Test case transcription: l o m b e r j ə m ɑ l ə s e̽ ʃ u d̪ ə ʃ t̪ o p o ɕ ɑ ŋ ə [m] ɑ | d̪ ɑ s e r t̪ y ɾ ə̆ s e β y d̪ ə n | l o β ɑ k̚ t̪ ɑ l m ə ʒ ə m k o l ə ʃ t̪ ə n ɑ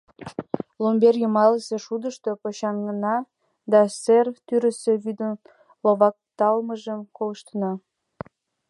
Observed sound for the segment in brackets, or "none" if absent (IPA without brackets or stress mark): n